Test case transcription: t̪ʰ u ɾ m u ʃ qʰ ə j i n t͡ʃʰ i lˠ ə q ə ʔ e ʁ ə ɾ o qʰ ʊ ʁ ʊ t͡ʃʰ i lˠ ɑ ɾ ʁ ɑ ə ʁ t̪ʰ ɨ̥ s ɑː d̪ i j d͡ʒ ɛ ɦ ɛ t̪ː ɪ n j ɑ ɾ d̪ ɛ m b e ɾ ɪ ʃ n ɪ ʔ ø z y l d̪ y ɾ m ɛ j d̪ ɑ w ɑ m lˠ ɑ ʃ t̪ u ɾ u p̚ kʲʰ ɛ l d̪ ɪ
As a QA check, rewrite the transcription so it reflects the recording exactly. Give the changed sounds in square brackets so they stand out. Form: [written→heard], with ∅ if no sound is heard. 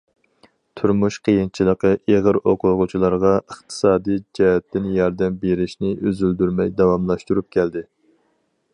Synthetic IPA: t̪ʰ u ɾ m u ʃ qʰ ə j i n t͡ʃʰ i lˠ ə q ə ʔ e ʁ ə ɾ o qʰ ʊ ʁ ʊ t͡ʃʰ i lˠ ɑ ɾ ʁ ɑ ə [ʁ→χ] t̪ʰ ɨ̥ s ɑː d̪ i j d͡ʒ ɛ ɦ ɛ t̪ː ɪ n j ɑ ɾ d̪ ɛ m b e ɾ ɪ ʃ n ɪ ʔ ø z y l d̪ y ɾ m ɛ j d̪ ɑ w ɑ m lˠ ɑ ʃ t̪ u ɾ u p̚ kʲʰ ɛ l d̪ ɪ